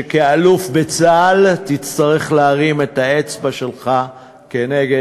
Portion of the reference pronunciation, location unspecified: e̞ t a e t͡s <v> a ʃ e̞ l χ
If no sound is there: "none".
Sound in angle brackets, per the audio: b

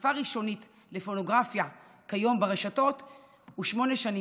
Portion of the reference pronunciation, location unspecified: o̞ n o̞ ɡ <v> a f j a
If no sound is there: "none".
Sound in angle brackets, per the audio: ʁ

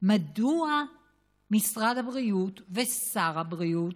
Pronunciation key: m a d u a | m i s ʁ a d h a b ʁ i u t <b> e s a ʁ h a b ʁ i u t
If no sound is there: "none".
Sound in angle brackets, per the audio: v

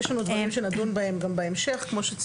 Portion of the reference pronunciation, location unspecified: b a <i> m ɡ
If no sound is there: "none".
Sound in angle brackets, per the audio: e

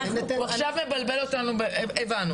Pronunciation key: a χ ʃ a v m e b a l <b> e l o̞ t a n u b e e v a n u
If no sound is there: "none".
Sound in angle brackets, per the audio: b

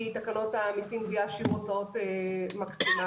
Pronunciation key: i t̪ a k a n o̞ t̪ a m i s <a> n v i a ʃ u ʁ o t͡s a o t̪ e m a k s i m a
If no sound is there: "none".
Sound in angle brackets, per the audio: i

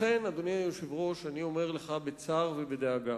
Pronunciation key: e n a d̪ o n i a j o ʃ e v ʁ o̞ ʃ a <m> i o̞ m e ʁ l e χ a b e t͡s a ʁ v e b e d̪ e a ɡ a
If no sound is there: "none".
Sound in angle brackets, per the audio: n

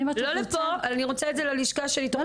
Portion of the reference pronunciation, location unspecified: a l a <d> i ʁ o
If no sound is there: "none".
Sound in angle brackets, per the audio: n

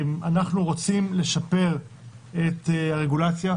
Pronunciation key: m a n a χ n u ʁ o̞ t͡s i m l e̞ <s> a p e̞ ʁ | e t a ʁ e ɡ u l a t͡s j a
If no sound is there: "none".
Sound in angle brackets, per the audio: ʃ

